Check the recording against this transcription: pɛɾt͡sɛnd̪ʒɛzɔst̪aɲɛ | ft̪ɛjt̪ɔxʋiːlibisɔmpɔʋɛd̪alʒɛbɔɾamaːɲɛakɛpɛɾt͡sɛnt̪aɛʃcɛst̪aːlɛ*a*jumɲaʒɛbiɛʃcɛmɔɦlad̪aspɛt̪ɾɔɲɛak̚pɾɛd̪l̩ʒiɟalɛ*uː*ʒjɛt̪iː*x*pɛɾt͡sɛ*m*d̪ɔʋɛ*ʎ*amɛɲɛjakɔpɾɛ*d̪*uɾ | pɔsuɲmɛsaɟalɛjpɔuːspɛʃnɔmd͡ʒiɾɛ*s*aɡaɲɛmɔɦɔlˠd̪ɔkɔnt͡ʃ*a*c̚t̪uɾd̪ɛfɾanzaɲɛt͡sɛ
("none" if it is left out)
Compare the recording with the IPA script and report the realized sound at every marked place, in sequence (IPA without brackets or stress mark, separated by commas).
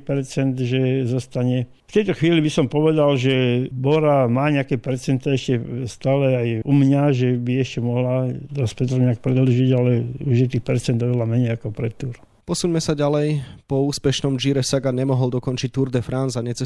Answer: a, u, x, n, l, t̪, s, i